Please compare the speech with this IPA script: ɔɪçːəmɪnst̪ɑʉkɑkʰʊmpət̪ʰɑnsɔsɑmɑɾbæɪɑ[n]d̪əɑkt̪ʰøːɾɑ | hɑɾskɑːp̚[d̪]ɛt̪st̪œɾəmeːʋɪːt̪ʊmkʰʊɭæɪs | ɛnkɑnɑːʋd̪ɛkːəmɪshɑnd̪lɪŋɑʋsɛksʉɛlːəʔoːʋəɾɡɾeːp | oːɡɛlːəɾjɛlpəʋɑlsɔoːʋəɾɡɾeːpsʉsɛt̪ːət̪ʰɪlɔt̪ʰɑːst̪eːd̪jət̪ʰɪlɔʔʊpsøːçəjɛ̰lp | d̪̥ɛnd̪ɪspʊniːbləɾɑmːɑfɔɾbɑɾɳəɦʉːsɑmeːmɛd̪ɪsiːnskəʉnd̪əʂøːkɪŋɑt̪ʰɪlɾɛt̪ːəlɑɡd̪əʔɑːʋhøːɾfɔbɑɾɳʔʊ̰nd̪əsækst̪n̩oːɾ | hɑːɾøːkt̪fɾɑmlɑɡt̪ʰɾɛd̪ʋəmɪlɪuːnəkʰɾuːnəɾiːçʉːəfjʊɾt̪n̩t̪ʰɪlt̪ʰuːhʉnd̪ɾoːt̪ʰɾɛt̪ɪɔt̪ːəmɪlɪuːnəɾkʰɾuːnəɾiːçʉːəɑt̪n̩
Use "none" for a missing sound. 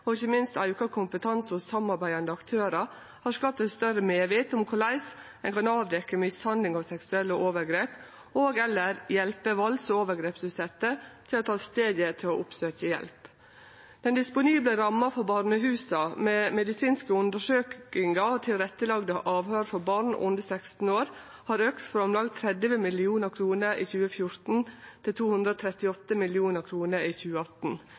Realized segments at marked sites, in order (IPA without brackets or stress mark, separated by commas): n, t̪